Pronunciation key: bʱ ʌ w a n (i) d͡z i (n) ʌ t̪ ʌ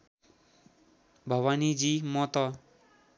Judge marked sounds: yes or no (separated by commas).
yes, no